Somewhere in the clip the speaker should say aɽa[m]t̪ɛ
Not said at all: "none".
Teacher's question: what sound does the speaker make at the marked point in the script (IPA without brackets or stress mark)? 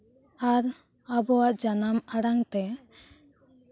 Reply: ŋ